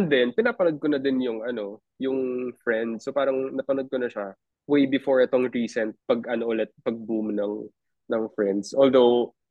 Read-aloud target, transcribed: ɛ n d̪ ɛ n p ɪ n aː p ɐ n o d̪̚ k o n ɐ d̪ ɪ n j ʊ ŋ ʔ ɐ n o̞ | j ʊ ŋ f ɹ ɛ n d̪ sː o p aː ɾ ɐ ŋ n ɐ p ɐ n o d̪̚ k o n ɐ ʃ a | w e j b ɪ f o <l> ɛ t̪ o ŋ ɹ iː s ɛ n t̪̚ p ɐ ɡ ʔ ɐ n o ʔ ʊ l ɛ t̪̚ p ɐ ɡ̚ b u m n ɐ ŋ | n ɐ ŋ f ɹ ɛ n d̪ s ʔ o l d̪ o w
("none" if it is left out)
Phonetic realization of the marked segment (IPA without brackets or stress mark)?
ɹ